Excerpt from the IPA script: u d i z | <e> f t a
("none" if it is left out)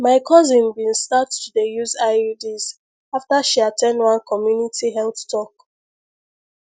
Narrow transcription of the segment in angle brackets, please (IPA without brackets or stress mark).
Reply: a